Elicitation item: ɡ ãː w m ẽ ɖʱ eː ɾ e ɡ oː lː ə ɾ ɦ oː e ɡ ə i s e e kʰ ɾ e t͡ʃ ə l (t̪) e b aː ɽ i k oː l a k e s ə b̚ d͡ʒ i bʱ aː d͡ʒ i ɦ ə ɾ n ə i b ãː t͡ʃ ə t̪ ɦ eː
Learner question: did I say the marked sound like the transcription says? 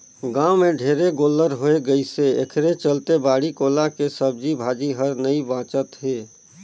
yes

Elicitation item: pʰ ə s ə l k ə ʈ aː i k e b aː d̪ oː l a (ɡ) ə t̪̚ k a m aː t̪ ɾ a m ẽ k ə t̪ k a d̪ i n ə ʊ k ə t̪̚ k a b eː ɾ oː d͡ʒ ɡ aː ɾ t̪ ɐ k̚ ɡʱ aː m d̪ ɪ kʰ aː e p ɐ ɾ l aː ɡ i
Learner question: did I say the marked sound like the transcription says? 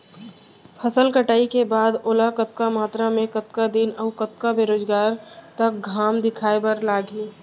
no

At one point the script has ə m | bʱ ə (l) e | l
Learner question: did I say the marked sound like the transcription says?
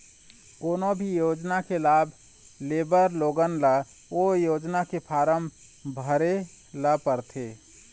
no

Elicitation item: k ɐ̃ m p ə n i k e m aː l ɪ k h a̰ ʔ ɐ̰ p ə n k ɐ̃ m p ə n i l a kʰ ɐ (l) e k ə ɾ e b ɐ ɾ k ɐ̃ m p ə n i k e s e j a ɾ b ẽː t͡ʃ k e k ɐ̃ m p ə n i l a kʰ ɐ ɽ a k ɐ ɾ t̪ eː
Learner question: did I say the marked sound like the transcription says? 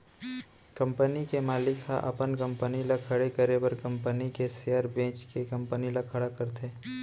no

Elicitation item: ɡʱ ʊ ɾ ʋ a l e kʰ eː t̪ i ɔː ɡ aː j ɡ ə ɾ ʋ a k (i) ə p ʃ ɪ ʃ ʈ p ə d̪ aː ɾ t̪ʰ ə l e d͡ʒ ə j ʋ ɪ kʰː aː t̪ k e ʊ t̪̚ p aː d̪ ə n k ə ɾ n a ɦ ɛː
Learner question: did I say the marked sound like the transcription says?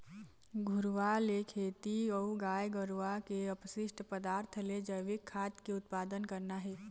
no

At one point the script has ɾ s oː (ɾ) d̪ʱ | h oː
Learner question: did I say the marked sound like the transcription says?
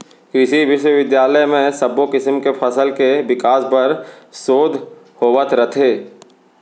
no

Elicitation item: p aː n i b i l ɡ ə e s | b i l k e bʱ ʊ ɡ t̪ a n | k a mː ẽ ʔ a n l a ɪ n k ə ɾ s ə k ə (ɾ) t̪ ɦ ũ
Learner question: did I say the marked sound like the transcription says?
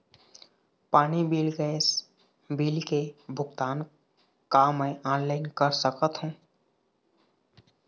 no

